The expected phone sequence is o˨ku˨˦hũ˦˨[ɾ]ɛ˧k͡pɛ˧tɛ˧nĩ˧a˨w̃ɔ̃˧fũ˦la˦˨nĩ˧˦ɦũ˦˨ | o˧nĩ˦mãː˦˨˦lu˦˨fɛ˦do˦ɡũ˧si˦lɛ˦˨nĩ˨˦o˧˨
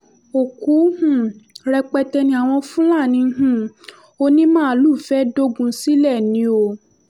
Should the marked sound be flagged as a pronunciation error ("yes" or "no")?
no